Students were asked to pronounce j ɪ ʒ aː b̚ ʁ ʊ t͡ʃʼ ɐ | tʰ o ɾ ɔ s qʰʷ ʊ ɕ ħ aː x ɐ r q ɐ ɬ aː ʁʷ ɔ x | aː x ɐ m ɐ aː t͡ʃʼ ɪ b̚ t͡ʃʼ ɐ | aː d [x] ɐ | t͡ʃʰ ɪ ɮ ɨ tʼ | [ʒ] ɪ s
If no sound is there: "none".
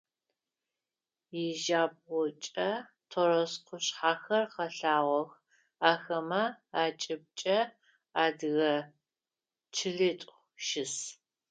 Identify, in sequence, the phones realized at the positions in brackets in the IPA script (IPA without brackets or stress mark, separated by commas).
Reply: ɣ, ʃ